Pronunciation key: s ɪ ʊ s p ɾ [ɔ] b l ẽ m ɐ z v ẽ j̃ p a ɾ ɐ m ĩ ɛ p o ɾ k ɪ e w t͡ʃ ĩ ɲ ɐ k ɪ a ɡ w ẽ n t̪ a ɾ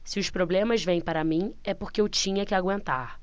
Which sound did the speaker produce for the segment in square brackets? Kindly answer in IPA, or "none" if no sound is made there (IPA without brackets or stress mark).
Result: o